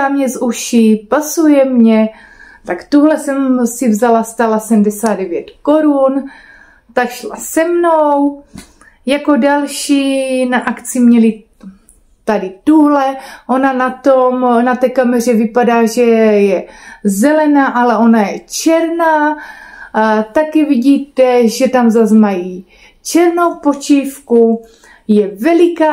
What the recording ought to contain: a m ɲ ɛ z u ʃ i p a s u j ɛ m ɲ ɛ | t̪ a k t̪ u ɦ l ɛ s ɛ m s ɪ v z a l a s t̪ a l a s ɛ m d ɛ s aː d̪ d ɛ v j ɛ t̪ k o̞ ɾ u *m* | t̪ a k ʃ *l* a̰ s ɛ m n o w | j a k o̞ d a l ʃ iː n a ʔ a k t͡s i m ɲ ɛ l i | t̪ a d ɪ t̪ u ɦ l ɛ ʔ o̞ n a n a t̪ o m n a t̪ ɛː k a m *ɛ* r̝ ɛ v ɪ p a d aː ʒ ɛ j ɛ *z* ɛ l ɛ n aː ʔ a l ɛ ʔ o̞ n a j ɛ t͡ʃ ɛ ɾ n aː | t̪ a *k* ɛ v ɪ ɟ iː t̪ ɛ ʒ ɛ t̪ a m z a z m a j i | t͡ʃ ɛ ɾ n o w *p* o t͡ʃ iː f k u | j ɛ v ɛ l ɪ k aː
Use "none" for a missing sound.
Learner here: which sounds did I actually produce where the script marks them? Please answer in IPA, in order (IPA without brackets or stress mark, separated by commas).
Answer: n, l, ɛ, z, k, p